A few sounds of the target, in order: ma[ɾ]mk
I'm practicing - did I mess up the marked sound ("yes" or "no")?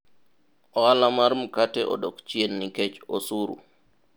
no